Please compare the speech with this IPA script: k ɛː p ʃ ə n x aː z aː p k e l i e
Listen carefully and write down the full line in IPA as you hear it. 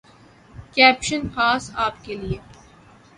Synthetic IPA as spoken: k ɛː p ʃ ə n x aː s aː p k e l i e